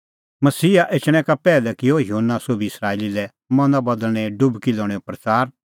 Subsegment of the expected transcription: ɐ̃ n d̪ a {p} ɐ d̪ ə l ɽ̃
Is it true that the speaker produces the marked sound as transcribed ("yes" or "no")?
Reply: no